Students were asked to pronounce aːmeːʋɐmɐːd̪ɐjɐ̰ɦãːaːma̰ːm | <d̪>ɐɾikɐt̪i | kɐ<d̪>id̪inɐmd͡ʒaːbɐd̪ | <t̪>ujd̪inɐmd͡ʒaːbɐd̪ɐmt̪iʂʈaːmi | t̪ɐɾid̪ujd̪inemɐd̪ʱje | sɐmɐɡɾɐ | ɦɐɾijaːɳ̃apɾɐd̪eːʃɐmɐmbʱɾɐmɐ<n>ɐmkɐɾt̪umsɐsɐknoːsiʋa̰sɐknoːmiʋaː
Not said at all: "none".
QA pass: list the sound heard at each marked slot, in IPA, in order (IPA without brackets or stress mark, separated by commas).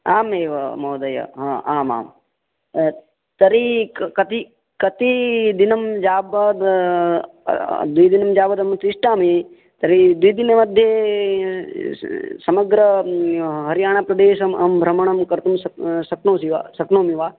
t̪, t̪, d̪, ɳ